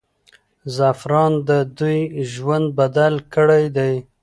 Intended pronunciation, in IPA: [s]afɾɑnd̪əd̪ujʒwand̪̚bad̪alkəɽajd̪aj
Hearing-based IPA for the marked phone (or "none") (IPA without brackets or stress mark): z